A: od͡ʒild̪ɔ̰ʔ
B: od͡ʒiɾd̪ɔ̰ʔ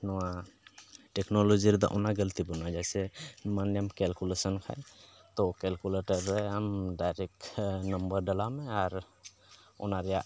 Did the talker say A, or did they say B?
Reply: B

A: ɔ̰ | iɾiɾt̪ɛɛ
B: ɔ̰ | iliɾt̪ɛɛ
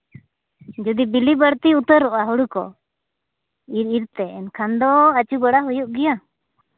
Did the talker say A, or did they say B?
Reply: A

